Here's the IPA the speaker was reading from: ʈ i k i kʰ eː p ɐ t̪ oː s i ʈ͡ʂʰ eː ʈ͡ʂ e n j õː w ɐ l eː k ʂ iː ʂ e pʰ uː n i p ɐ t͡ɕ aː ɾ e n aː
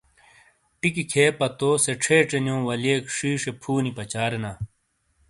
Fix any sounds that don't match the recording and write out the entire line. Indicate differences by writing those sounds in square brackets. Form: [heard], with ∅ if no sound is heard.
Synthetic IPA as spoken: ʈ i k i kʰ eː p ɐ t̪ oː s [e] ʈ͡ʂʰ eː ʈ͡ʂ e n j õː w ɐ l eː k ʂ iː ʂ e pʰ uː n i p ɐ t͡ɕ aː ɾ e n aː